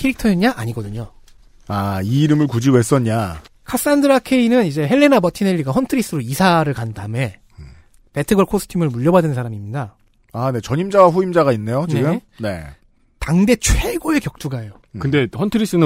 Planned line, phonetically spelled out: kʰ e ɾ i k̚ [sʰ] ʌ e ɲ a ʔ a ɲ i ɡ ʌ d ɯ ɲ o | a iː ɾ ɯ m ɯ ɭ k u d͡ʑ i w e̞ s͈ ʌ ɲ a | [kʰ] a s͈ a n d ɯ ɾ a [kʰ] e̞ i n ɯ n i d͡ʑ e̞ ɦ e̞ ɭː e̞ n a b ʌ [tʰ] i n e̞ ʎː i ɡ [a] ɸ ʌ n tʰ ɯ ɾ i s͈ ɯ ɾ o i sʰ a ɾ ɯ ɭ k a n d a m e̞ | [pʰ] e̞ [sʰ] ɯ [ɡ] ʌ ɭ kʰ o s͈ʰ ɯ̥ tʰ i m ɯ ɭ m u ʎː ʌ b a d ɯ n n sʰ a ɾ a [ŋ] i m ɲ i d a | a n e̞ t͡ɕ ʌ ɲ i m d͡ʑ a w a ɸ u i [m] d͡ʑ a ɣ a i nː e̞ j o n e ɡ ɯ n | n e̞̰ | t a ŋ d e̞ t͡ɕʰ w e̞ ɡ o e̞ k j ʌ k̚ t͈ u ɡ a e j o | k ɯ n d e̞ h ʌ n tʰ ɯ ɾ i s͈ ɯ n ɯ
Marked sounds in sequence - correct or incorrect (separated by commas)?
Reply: incorrect, correct, correct, correct, correct, incorrect, incorrect, correct, incorrect, correct